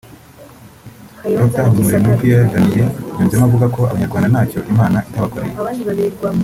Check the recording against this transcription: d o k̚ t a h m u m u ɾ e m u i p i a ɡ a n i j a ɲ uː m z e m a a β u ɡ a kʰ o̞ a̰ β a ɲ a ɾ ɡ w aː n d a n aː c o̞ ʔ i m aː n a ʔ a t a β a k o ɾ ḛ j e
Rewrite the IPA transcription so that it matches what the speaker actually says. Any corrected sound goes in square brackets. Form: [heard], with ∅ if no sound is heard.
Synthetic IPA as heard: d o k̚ t a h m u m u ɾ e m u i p i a ɡ a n i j [e] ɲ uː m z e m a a [v] u ɡ a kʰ o̞ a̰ β a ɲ a ɾ ɡ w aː n d a n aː c o̞ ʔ i m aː n a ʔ [i] t a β a k o ɾ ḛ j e